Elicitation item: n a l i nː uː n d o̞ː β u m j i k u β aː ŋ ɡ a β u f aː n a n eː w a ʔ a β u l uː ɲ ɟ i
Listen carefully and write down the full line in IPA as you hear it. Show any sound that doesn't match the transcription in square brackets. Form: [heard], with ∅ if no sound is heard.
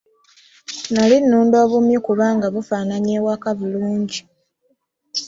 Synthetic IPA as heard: n a l i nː uː n d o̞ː β u m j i k u β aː ŋ ɡ a β u f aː n a [ɲ] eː w a [k] a β u l uː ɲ ɟ i